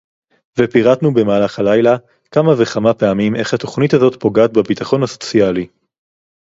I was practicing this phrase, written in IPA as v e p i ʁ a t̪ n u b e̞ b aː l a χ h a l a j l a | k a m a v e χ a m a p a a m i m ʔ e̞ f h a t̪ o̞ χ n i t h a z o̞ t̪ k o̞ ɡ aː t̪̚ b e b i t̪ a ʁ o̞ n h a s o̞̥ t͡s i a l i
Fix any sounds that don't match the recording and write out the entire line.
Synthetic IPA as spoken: v e p i ʁ a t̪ n u b e̞ m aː l a χ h a l a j l a | k a m a v e χ a m a p e a m i m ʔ e̞ χ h a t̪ o̞ χ n i t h a z o̞ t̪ p o̞ ɡ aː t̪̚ b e b i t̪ a χ o̞ n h a s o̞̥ t͡s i a l i